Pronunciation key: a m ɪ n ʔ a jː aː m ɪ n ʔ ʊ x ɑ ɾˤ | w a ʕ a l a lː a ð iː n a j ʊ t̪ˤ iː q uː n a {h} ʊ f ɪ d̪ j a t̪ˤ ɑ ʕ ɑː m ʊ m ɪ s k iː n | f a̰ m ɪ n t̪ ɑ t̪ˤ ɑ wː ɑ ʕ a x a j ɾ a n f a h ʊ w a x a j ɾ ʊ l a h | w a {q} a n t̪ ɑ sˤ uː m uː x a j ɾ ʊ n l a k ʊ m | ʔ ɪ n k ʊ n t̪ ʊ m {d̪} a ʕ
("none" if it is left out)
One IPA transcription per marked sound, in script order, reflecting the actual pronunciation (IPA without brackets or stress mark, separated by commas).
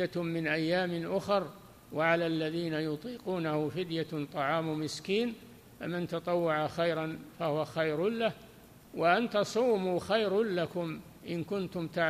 h, ʔ, t̪